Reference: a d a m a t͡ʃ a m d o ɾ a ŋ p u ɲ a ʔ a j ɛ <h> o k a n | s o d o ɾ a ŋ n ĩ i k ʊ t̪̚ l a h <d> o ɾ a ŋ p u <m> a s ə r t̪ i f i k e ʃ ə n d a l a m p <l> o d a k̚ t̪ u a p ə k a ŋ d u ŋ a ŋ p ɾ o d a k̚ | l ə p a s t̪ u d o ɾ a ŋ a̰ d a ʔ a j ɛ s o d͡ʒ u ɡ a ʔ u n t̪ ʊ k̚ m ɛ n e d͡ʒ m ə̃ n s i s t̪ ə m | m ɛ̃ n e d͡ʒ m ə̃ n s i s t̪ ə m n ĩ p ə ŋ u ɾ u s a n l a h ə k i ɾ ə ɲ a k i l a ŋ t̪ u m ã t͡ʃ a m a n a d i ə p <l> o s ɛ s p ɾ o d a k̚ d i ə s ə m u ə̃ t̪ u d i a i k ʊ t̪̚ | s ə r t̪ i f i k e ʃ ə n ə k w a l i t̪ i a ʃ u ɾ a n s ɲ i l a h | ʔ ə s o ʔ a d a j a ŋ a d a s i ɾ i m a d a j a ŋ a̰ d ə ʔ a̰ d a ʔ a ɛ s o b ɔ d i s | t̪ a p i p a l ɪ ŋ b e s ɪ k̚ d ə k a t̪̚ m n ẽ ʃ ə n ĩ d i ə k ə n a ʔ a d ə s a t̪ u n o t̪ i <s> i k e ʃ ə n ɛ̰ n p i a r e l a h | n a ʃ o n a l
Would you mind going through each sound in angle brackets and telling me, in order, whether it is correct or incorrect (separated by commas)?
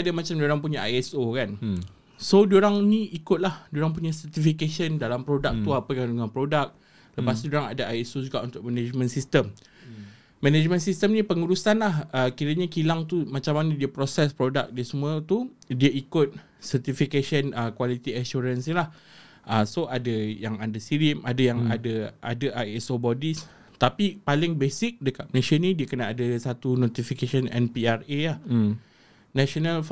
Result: incorrect, correct, incorrect, incorrect, incorrect, incorrect